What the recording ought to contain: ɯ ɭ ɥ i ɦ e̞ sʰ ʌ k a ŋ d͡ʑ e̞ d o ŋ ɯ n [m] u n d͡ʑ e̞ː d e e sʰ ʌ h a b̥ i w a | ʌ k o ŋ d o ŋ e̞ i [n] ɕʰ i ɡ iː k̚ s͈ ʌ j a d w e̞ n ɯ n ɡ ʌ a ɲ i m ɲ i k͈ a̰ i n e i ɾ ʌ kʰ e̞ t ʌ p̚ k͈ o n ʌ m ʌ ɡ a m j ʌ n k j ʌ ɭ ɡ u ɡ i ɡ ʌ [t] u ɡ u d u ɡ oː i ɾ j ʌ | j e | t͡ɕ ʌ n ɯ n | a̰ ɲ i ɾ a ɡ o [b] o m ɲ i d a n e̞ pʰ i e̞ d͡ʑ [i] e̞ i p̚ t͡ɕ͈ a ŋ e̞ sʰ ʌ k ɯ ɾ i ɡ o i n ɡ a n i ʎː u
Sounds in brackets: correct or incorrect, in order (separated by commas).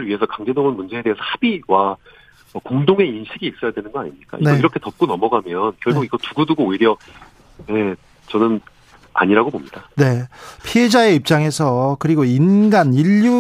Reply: correct, correct, correct, correct, incorrect